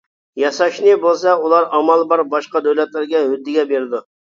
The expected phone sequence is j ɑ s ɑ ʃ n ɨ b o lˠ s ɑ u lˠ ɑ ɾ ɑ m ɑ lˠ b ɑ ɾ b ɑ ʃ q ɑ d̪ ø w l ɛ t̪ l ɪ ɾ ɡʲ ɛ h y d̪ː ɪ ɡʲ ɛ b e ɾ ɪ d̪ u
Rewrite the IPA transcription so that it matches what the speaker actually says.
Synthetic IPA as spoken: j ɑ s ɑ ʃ n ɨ b o lˠ s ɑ u lˠ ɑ ɾ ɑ m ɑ lˠ b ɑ ɾ b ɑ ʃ q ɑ d̪ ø w l ɛ t̪ l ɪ ɾ ɡʲ ɛ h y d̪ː ɪ ɡʲ ɛ b e ɾ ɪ d̪ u